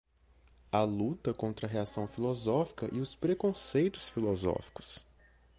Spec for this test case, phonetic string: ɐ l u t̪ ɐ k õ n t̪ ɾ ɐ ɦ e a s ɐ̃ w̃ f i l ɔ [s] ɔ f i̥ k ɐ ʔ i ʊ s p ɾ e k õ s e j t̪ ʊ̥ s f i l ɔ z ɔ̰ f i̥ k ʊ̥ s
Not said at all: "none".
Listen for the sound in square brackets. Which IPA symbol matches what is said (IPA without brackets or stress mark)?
z